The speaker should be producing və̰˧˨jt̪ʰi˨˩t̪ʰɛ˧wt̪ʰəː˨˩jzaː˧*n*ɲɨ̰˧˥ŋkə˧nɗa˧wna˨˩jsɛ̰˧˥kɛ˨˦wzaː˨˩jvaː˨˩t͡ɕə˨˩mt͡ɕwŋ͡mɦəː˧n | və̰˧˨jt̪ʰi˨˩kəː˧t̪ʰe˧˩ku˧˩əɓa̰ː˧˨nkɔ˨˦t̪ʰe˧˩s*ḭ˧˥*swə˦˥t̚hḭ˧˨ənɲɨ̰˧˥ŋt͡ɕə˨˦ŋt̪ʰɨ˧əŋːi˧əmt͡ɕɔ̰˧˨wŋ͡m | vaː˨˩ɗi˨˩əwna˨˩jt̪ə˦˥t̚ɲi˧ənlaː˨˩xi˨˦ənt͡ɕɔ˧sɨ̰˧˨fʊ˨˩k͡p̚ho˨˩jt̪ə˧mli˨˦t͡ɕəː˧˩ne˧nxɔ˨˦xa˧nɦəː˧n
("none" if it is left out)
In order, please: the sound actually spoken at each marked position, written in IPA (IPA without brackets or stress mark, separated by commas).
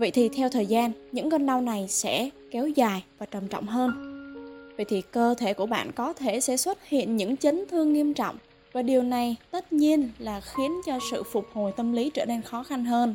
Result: n, ɛ̰˧˥